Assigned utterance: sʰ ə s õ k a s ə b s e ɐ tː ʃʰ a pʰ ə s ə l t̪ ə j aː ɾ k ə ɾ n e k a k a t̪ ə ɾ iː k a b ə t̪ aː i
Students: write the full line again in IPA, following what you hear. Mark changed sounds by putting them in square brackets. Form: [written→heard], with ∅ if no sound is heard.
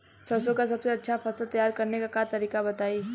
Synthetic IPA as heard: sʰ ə s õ k a s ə b s e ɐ tː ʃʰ a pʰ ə s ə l t̪ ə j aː ɾ k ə ɾ n e k a k a t̪ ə ɾ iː k a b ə t̪ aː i